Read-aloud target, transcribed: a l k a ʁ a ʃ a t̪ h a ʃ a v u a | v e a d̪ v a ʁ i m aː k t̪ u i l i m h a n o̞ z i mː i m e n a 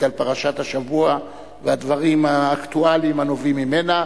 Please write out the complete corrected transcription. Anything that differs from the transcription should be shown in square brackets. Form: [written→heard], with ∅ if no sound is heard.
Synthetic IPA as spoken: a l [k→p] a ʁ a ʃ a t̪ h a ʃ a v u a | v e a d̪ v a ʁ i m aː k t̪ u [i→a] l i m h a n o̞ [z→v] i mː i m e n a